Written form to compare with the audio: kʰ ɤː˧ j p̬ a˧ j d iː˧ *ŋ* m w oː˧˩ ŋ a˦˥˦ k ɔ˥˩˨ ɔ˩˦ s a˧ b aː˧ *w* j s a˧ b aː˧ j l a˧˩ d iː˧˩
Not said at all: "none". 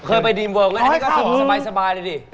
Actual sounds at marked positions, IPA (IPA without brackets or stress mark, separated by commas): none, none